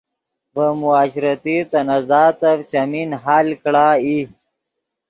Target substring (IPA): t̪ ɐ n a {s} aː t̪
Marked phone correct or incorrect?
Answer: incorrect